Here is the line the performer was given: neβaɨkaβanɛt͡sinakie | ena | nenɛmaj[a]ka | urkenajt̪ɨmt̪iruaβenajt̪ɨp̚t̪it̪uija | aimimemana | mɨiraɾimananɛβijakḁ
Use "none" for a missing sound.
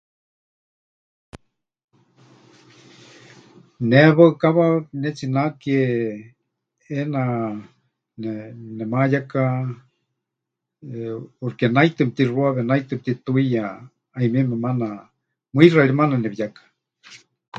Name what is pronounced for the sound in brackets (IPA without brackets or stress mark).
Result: a